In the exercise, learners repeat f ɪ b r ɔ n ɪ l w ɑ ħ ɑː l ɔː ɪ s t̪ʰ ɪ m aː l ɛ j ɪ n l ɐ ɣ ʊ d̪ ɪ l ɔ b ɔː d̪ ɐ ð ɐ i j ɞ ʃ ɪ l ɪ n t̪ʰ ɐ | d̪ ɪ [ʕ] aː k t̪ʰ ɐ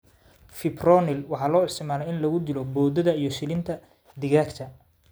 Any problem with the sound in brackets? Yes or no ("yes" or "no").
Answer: yes